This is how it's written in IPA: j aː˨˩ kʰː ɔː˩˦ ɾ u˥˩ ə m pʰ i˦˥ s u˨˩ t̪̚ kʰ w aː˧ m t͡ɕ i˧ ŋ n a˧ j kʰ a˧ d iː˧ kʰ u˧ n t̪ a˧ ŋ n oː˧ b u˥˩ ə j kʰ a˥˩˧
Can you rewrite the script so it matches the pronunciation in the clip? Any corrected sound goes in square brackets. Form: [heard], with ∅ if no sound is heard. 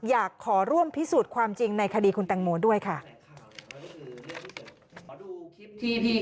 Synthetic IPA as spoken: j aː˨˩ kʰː ɔː˩˦ ɾ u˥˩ ə m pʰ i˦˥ s [uː˨˩] t̪̚ kʰ w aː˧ m t͡ɕ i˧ ŋ n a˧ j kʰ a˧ d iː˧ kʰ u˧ n t̪ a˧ ŋ [m] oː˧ [d] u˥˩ ə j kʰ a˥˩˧